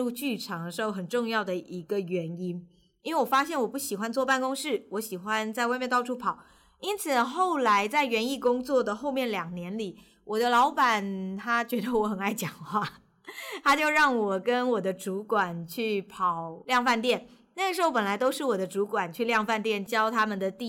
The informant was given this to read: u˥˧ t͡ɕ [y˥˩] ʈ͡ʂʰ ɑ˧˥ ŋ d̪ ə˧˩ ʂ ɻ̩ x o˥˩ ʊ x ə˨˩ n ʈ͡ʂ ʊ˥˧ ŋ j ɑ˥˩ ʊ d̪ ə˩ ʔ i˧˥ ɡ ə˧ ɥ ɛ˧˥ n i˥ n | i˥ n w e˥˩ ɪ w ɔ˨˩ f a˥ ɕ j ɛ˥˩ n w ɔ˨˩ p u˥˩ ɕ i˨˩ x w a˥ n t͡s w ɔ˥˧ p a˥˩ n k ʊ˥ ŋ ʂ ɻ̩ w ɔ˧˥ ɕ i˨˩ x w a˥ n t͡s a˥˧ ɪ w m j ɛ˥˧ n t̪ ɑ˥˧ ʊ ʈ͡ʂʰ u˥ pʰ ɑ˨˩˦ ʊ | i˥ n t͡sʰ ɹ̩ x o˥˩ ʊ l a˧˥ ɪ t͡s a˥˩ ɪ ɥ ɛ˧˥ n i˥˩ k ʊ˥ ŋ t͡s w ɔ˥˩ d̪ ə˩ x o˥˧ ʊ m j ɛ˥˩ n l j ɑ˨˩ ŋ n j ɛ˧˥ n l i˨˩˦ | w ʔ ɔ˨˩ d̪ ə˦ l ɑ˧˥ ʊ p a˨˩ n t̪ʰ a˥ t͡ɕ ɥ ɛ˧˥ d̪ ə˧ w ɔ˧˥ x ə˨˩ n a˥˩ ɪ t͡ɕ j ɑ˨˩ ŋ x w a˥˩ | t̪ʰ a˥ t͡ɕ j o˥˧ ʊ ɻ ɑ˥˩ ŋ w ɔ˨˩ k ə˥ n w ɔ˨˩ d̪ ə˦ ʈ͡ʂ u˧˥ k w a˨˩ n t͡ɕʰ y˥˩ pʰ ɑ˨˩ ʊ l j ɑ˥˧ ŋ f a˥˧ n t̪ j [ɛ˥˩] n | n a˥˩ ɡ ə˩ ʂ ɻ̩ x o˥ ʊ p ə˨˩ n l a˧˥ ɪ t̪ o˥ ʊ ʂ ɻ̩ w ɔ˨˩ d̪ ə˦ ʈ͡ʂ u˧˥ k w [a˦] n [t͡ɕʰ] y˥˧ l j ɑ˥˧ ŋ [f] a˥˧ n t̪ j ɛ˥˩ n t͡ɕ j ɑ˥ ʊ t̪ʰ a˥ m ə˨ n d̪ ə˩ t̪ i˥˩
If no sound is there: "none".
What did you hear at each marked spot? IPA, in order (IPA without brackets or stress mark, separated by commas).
y˥˩, ɛ˥˩, a˨˩, t͡ɕʰ, f